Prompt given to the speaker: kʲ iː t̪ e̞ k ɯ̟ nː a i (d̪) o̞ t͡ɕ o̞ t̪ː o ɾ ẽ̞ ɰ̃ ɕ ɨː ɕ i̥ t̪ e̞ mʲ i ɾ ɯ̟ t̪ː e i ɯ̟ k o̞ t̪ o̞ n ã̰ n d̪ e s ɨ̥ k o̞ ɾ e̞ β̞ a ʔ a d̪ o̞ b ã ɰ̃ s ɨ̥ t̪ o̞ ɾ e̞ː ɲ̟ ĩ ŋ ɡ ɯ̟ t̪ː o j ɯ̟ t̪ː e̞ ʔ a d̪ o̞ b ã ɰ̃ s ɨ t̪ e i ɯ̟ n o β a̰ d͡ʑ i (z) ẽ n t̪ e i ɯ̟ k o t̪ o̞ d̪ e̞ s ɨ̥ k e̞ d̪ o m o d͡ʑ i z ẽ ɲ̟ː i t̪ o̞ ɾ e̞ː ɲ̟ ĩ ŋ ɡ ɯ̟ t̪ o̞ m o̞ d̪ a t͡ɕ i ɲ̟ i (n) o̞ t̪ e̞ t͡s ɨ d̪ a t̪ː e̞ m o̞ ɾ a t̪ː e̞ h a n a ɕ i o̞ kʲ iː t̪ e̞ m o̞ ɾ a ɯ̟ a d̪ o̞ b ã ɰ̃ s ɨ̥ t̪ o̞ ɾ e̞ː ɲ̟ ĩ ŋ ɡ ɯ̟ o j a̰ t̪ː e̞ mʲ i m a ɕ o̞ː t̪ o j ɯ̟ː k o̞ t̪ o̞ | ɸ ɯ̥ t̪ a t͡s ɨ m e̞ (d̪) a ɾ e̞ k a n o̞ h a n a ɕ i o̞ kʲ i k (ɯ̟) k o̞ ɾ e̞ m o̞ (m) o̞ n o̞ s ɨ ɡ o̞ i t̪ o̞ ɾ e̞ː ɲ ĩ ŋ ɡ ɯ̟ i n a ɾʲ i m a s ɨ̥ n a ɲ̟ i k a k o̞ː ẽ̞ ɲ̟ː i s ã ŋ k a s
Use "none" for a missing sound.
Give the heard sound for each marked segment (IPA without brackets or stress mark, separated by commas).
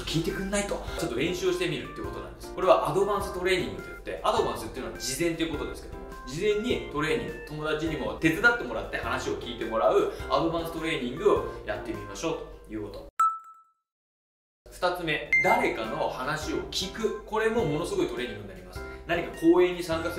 t̪, z, m, d̪, ɯ̟, m